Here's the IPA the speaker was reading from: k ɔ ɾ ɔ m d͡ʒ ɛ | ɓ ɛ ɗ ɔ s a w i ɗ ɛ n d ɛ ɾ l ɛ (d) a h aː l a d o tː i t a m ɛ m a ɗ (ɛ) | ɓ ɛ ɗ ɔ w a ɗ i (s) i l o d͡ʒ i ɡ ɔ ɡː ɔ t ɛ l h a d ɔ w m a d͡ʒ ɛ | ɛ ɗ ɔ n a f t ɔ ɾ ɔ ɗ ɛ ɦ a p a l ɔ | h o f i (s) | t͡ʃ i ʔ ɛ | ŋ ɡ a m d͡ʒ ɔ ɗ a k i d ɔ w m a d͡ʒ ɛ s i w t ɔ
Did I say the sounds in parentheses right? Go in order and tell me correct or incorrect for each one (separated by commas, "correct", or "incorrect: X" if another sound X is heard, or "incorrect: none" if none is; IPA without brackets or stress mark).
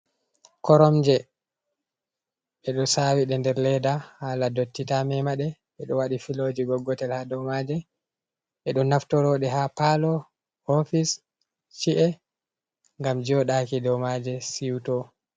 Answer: correct, correct, incorrect: f, correct